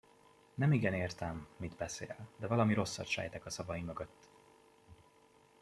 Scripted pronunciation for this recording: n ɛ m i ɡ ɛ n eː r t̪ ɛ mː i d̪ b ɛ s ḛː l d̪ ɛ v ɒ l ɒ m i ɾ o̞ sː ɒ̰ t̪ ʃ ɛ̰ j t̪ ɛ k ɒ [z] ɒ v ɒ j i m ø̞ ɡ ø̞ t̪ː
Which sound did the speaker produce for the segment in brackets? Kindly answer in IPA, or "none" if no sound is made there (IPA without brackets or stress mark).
s